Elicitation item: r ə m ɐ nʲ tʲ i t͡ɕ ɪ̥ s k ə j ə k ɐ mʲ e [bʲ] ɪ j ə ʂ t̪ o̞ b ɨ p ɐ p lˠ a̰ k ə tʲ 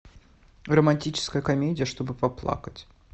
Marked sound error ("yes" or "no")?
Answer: yes